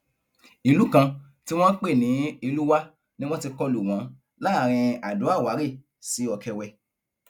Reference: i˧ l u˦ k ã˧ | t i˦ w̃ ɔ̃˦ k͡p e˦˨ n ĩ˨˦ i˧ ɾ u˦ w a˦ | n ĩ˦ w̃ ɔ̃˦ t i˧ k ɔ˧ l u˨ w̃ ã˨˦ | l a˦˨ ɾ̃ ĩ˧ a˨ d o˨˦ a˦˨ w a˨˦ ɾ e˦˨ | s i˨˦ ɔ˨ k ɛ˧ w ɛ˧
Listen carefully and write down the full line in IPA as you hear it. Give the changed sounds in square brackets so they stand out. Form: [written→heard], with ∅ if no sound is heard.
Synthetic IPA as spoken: i˧ l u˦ k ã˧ | t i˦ w̃ ɔ̃˦ k͡p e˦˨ n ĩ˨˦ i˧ [ɾ→l] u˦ w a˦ | n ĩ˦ w̃ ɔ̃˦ t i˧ k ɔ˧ l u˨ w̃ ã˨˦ | l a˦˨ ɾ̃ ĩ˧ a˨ d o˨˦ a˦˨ w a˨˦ ɾ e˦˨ | s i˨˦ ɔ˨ k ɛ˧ w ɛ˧

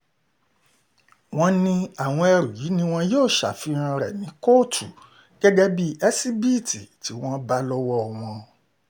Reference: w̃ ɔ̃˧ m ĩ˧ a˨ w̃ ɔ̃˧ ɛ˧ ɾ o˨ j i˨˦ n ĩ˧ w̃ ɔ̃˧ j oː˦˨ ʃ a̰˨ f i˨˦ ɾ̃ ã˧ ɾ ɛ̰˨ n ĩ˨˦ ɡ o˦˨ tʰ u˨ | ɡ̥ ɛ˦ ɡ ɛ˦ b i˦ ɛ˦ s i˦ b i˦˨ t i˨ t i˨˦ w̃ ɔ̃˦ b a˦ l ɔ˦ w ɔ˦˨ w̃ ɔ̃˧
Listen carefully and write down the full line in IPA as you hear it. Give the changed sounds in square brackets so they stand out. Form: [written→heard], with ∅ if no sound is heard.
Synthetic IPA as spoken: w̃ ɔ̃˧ [m→n] ĩ˧ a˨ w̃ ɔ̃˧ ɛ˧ ɾ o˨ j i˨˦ n ĩ˧ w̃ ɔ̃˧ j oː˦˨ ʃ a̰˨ f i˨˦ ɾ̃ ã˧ ɾ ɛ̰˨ n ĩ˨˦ [ɡ→k] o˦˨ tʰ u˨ | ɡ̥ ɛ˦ ɡ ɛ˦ b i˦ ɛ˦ s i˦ b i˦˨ t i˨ t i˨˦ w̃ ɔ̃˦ b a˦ l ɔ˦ w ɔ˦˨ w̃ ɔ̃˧

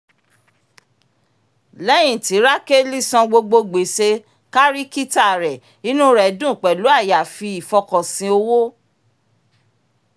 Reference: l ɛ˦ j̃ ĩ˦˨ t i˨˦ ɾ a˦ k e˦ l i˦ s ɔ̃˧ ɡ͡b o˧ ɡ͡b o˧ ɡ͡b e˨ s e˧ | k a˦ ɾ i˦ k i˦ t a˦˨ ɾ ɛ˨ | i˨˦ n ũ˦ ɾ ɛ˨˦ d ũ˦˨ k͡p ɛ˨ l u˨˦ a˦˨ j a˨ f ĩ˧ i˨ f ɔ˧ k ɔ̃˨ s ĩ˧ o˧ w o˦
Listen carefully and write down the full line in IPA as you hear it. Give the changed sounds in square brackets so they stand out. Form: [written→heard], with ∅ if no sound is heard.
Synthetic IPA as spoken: l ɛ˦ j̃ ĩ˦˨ t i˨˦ ɾ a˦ k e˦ l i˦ s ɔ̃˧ ɡ͡b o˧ ɡ͡b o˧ ɡ͡b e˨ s e˧ | k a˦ ɾ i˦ k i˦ t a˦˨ ɾ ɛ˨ | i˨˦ n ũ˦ ɾ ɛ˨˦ d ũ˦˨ k͡p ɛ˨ l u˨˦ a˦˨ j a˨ f [ĩ˧→i˧] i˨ f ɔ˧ k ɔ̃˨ s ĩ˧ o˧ w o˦

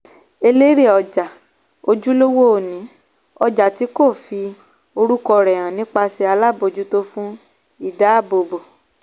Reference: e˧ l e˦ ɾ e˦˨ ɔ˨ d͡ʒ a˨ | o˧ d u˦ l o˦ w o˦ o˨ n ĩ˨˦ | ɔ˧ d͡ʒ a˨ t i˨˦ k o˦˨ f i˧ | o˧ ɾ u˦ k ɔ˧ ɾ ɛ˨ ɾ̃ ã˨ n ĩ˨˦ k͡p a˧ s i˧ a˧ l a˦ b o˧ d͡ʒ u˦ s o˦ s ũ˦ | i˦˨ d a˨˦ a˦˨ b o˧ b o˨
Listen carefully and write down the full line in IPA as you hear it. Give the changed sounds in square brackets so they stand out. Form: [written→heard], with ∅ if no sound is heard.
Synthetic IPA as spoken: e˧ l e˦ ɾ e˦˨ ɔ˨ d͡ʒ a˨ | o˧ [d→d͡ʒ] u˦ l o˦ w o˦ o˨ n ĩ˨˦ | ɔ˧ d͡ʒ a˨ t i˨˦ k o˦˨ f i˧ | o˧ ɾ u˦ k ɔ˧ ɾ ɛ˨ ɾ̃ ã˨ n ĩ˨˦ k͡p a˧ s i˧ a˧ l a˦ b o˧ d͡ʒ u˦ [s→t] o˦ [s→f] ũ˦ | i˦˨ d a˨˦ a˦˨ b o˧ b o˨

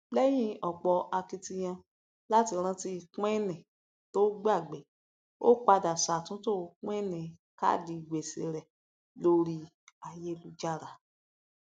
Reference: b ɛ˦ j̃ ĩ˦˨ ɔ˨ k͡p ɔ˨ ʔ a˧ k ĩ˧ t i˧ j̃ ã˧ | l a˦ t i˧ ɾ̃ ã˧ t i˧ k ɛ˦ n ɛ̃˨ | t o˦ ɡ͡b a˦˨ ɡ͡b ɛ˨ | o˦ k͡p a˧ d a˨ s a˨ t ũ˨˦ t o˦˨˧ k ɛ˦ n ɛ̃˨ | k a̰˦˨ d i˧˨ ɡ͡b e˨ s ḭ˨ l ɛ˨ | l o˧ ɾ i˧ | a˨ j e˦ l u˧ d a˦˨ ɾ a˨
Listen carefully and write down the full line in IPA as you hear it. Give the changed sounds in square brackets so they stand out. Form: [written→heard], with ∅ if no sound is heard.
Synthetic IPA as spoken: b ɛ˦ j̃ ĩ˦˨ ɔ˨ k͡p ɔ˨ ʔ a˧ k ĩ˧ t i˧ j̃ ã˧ | l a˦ t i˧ ɾ̃ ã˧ t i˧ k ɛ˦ n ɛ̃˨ | t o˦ ɡ͡b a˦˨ ɡ͡b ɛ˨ | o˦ k͡p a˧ d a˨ s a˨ t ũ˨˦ t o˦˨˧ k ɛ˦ n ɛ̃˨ | k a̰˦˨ d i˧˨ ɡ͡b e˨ s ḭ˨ [l→ɾ] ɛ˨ | l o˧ ɾ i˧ | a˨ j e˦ l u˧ [d→d͡ʒ] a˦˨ ɾ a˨

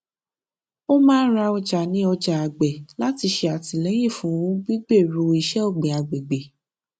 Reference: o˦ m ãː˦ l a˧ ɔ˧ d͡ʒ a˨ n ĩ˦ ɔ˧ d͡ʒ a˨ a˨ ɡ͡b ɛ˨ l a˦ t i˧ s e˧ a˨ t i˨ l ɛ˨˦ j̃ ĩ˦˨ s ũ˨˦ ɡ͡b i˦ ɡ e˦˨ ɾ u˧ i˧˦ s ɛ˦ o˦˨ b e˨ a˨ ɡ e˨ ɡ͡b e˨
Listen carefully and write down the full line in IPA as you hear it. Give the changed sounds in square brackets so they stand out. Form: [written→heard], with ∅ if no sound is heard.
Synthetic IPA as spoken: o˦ m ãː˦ [l→ɾ] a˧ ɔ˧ d͡ʒ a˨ n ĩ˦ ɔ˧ d͡ʒ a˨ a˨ ɡ͡b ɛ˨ l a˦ t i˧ [s→ʃ] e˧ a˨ t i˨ l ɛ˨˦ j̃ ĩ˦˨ [s→f] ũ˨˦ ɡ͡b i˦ [ɡ→ɡ͡b] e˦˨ ɾ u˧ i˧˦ [s→ʃ] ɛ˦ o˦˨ [b→ɡ͡b] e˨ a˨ [ɡ→ɡ͡b] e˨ ɡ͡b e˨

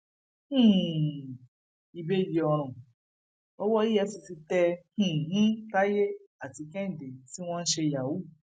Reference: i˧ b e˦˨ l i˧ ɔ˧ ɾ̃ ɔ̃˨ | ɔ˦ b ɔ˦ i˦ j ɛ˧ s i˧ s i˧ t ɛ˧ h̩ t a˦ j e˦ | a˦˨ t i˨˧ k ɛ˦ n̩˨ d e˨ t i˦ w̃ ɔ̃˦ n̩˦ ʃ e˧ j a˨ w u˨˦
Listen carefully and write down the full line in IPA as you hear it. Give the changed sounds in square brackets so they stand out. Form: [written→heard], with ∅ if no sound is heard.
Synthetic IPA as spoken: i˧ b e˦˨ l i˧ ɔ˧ ɾ̃ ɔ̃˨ | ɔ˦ [b→w] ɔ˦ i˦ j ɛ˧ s i˧ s i˧ t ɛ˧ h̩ t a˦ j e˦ | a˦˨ t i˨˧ k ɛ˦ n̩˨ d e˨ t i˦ w̃ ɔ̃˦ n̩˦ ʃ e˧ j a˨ w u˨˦

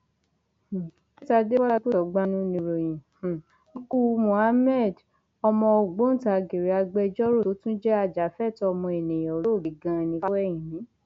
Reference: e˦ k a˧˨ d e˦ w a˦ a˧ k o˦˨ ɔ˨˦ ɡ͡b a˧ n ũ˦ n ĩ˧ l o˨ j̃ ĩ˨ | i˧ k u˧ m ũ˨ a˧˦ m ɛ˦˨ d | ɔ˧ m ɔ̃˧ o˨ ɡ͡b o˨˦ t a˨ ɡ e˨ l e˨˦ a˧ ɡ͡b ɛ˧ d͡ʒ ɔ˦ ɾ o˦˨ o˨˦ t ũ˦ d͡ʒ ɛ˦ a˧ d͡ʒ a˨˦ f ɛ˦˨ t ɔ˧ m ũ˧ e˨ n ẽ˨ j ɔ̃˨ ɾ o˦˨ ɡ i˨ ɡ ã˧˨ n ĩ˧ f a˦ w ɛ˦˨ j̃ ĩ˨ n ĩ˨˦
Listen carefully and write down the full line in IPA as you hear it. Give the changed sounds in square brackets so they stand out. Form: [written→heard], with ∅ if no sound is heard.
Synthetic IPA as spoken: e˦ [k→t] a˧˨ d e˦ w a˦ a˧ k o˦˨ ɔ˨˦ ɡ͡b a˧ n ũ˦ n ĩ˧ [l→ɾ] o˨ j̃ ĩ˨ | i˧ k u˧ m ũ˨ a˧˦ m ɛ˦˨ d | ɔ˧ m ɔ̃˧ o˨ ɡ͡b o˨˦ t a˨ ɡ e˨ [l→ɾ] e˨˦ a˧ ɡ͡b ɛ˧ d͡ʒ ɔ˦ ɾ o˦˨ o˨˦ t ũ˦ d͡ʒ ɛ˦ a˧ d͡ʒ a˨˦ f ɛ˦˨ t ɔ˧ m [ũ˧→ɔ̃˧] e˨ n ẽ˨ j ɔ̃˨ ɾ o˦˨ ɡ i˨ ɡ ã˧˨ n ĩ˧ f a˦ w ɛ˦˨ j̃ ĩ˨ n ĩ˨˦

